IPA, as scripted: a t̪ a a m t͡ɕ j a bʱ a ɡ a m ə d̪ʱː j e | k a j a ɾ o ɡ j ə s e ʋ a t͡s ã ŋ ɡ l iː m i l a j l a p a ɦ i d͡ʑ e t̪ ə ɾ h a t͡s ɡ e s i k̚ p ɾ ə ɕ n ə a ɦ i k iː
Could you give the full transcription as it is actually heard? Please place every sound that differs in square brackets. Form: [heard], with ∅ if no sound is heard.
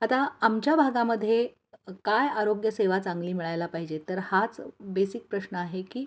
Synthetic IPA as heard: a t̪ a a m t͡ɕ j a bʱ a ɡ a m ə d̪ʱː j e | k a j a ɾ o ɡ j ə s e ʋ a t͡s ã ŋ ɡ l iː m i [ɭ] a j l a p a ɦ i d͡ʑ e t̪ ə ɾ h a t͡s [b] e s i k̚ p ɾ ə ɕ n ə a ɦ [e] k iː